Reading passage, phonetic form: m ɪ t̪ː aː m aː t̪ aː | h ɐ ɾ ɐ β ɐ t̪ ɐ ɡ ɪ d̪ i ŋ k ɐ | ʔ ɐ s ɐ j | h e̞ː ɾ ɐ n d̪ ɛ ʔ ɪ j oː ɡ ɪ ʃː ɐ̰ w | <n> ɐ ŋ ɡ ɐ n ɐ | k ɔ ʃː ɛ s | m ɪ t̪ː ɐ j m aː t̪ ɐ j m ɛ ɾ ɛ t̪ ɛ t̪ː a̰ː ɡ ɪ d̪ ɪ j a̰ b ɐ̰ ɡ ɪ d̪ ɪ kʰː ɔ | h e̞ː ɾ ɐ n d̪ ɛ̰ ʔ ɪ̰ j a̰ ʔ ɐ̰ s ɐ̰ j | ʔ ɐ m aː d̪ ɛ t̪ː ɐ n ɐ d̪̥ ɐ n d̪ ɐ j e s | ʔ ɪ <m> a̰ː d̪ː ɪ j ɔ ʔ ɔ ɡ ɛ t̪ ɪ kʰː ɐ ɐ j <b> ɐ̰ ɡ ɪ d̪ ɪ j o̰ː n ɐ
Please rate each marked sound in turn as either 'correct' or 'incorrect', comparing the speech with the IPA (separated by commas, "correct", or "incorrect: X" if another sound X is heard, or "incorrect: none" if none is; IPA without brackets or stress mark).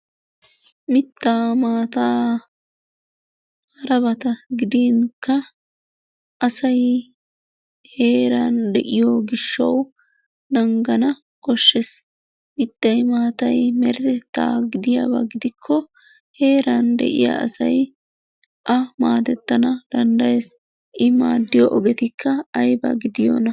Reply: correct, correct, correct